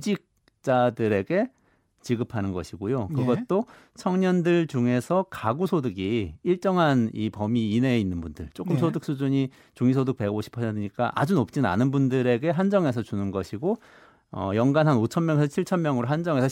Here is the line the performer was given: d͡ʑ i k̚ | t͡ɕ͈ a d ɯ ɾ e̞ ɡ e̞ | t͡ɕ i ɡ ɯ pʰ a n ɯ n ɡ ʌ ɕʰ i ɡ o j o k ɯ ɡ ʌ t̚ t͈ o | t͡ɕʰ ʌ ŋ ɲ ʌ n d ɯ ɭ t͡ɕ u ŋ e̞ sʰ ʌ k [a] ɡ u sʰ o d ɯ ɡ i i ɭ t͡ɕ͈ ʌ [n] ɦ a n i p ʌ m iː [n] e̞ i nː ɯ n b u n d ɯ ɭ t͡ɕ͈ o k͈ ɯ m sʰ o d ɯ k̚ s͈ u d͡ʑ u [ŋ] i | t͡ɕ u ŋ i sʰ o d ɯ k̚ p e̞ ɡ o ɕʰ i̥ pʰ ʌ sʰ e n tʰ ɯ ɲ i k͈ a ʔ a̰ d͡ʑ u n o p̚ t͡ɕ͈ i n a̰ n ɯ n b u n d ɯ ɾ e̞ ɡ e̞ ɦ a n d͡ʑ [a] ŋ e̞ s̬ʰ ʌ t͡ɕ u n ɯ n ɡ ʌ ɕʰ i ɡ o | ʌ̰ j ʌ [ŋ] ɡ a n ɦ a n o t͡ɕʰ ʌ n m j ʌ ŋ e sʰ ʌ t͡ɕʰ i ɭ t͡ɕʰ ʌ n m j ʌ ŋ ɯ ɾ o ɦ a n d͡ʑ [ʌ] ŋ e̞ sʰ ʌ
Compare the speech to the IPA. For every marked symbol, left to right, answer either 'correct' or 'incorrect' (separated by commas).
correct, incorrect, correct, incorrect, incorrect, correct, correct